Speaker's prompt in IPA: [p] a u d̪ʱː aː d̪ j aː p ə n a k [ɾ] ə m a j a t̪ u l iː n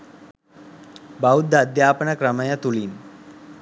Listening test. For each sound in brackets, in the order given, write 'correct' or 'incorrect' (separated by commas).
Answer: incorrect, correct